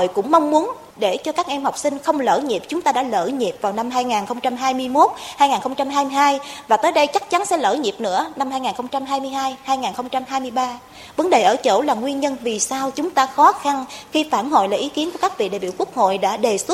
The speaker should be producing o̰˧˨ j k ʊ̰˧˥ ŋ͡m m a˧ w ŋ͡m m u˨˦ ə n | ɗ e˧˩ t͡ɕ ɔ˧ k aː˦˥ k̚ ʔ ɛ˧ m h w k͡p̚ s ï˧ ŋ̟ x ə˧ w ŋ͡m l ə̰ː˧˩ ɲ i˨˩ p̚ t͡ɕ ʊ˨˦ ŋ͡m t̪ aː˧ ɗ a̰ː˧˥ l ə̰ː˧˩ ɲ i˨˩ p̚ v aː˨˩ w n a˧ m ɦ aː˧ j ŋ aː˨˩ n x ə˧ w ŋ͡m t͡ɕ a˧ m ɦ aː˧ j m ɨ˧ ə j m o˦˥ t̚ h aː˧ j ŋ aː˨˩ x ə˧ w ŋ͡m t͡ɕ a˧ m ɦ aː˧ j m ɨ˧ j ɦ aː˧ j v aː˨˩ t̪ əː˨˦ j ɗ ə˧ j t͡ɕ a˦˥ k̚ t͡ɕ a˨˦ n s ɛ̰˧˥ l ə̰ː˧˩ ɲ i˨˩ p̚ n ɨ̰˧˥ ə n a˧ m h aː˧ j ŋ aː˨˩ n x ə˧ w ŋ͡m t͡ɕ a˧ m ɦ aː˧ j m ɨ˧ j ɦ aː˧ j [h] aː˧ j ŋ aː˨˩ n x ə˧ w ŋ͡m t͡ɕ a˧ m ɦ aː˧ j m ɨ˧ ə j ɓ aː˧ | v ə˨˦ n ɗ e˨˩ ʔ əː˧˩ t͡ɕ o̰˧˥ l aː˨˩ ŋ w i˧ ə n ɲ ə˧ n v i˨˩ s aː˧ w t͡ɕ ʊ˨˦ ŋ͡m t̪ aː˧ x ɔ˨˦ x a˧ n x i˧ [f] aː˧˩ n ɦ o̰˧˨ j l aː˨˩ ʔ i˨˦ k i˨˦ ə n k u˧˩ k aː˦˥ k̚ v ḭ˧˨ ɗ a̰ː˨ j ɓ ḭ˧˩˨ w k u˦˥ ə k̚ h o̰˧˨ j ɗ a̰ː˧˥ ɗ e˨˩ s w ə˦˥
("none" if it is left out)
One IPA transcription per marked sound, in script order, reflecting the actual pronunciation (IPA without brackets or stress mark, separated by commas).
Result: h, f